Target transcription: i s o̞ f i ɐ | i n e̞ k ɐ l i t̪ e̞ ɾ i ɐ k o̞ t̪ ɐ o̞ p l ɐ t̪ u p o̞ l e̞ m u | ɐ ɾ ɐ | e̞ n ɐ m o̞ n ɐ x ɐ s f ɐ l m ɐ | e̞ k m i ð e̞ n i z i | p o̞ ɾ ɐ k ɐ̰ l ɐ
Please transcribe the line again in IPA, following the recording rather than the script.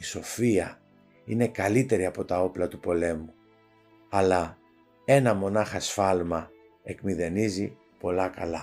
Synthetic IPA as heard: i s o̞ f i ɐ | i n e̞ k ɐ l i t̪ e̞ ɾ i ɐ p o̞ t̪ ɐ o̞ p l ɐ t̪ u p o̞ l e̞ m u | ɐ l ɐ | e̞ n ɐ m o̞ n ɐ x ɐ s f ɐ l m ɐ | e̞ k m i ð e̞ n i z i | p o̞ l ɐ k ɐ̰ l ɐ